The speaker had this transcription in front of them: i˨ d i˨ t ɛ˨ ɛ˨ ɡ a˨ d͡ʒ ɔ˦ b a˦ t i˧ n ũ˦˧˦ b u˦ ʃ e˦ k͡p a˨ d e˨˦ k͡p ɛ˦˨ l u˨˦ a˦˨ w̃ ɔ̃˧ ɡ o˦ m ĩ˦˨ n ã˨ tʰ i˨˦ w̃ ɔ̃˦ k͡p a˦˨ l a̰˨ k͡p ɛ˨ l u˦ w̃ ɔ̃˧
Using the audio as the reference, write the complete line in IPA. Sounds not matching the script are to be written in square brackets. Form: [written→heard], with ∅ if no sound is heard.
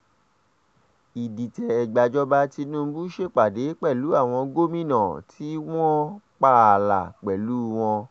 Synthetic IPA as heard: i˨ d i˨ t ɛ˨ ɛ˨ [ɡ→ɡ͡b] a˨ d͡ʒ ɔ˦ b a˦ t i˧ n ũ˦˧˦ b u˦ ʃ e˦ k͡p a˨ d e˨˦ k͡p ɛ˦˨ l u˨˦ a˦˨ w̃ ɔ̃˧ ɡ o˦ m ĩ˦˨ n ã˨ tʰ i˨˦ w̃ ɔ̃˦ k͡p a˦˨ l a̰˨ k͡p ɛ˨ l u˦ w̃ ɔ̃˧